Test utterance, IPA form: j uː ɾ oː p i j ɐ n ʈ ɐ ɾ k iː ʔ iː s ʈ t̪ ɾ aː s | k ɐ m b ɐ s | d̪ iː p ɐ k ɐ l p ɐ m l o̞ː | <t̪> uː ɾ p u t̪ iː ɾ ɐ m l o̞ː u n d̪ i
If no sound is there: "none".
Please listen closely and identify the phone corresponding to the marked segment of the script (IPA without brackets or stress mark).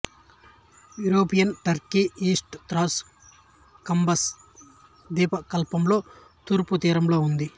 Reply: t̪